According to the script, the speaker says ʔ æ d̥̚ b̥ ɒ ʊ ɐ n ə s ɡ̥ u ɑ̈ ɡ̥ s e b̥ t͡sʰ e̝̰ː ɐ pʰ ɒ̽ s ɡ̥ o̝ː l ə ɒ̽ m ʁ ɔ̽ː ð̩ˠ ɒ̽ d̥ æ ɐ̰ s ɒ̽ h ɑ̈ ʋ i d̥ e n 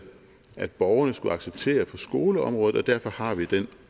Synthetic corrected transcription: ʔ æ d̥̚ b̥ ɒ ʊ ɐ n ə s ɡ̥ u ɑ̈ ɡ̥ s e b̥ t͡sʰ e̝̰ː ɐ pʰ ɒ̽ s ɡ̥ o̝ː l ə ɒ̽ m ʁ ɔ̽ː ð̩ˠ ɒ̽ d̥ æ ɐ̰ f ɒ̽ h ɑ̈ ʋ i d̥ e n